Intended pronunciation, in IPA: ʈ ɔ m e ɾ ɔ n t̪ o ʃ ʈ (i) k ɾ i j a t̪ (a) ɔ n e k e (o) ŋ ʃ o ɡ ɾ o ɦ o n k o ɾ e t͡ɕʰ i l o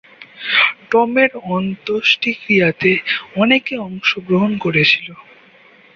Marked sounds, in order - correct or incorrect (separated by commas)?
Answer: correct, incorrect, incorrect